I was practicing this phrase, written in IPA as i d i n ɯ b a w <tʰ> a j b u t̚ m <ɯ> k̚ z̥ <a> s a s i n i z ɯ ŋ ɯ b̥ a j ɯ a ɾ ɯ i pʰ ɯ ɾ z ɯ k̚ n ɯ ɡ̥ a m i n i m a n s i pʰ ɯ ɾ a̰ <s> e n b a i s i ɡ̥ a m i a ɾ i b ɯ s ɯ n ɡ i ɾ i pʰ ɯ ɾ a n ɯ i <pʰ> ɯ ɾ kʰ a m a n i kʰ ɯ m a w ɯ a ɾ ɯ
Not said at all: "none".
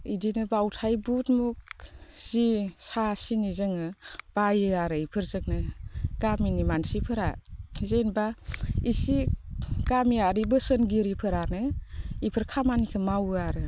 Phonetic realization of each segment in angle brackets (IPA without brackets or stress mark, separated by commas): tʰ, u, i, z, pʰ